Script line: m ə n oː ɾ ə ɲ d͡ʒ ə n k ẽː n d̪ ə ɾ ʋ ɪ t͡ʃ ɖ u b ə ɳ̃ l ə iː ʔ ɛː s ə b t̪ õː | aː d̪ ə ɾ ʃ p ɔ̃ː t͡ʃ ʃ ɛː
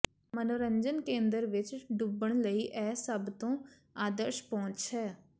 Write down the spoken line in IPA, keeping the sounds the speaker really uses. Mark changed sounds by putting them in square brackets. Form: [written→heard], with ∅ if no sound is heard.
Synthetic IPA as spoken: m ə n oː ɾ ə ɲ d͡ʒ ə n k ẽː n d̪ ə ɾ ʋ ɪ t͡ʃ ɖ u b ə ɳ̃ l ə iː ʔ ɛː s ə b t̪ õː | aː d̪ ə ɾ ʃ p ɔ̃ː t͡ʃ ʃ ɛː